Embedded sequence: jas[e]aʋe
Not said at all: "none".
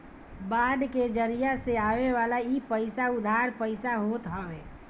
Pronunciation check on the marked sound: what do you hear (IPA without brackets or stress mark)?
e